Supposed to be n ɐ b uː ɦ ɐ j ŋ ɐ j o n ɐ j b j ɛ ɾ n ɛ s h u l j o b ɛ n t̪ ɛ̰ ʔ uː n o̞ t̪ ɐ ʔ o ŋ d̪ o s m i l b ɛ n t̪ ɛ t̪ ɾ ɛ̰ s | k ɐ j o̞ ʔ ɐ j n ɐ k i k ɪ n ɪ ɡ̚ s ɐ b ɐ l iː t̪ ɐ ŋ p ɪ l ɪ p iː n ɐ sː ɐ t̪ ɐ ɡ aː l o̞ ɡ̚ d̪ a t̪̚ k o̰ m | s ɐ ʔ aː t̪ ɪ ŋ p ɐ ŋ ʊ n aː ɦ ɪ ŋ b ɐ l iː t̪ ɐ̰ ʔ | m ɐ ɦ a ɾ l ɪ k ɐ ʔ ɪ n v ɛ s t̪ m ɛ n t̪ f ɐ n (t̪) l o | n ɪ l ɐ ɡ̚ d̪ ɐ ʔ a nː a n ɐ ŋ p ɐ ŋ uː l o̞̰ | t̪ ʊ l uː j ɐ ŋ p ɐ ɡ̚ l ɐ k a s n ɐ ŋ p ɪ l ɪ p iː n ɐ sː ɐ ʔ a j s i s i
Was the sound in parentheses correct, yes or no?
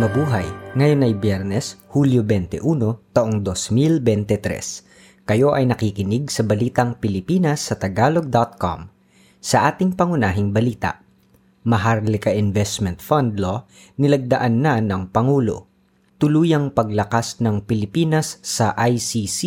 no